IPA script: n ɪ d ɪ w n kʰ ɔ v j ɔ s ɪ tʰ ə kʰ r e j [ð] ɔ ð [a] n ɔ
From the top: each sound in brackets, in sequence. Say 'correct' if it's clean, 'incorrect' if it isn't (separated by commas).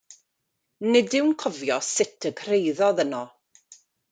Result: correct, incorrect